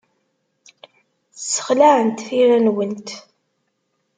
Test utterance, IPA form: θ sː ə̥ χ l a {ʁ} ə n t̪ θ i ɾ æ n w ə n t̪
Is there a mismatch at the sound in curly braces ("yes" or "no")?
yes